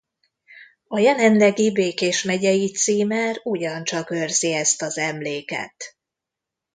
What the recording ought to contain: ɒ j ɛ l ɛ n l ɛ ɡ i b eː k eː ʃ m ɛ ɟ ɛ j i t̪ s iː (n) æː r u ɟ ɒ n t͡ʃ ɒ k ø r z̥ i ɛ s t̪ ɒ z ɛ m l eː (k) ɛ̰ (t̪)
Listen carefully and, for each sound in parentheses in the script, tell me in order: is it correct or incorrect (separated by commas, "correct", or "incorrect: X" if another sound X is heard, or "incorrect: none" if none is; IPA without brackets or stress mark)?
incorrect: m, correct, correct